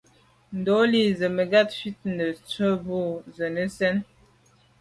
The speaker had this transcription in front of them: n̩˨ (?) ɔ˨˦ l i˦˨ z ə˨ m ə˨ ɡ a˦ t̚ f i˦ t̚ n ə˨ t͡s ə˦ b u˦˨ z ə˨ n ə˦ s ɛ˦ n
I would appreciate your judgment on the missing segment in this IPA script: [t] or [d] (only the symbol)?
d